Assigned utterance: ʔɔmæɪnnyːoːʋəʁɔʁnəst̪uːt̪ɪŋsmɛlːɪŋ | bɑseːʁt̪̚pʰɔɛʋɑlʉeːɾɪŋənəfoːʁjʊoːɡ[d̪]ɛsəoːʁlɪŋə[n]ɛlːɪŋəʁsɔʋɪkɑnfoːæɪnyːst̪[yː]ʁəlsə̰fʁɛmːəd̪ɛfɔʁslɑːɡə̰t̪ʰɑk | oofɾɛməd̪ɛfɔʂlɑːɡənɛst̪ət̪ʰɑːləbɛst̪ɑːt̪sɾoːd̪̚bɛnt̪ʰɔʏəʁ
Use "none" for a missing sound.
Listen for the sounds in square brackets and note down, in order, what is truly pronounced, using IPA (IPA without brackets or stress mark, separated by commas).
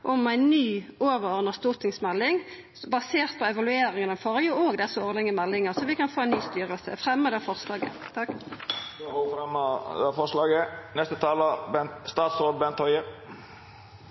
d̪, m, yː